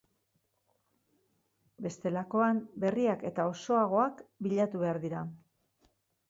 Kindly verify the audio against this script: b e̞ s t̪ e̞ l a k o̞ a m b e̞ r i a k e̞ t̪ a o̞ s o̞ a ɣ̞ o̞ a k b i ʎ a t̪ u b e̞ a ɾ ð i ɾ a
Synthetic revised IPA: b e̞ s t̪ e̞ l a k o̞ a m b e̞ r i a k e̞ t̪ a o̞ s o̞ a ɣ̞ o̞ a k b i ʎ a t̪ u β e̞ a ɾ ð i ɾ a